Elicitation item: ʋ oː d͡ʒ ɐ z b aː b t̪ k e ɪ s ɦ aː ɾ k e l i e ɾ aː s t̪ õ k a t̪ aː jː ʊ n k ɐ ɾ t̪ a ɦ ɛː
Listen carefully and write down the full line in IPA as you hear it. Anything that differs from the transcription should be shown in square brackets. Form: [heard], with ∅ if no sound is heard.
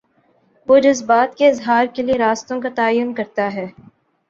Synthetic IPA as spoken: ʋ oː d͡ʒ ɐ z b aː [∅] t̪ k e ɪ [z] ɦ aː ɾ k e l i e ɾ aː s t̪ õ k a t̪ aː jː ʊ n k ɐ ɾ t̪ a ɦ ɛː